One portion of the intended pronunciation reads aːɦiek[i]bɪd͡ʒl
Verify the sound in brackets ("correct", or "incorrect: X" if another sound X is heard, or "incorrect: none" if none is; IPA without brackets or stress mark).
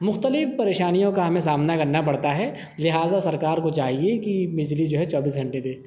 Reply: correct